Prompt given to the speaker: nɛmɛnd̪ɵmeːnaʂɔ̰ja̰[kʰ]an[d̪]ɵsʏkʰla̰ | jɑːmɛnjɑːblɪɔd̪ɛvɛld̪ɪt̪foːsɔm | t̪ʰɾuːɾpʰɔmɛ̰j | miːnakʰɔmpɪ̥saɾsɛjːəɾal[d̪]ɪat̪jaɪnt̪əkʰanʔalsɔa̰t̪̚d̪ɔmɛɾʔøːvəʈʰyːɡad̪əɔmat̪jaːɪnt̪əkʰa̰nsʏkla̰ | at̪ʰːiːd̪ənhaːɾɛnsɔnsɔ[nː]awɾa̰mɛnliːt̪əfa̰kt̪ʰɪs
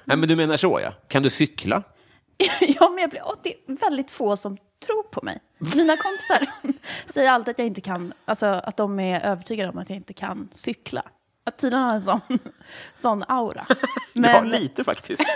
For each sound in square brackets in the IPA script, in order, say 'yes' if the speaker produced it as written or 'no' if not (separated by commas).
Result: yes, yes, no, yes